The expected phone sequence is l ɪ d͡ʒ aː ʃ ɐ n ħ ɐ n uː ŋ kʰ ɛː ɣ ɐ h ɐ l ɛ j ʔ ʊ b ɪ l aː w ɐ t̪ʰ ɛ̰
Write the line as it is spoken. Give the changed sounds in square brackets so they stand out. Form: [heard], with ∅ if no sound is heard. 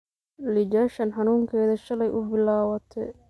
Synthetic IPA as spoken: l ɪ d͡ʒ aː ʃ ɐ n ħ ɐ n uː ŋ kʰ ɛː [ð] ɐ [ʃ] ɐ l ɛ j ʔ ʊ b ɪ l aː w ɐ t̪ʰ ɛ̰